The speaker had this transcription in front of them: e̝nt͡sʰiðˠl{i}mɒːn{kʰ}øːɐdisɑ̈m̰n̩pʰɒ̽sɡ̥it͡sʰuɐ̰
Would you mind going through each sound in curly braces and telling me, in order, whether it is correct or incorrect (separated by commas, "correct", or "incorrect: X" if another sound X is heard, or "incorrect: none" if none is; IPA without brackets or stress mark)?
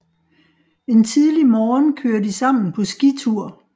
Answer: correct, correct